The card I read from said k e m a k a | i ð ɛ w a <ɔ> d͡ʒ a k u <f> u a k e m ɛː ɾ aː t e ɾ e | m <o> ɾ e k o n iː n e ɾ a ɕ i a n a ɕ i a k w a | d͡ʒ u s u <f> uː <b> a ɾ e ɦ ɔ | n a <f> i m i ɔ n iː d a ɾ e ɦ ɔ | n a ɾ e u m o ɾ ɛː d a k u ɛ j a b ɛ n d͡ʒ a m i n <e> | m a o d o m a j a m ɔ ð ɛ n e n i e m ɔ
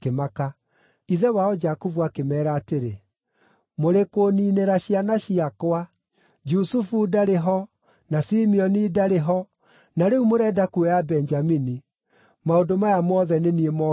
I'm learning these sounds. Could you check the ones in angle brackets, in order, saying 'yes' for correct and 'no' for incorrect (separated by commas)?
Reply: yes, no, yes, yes, no, no, no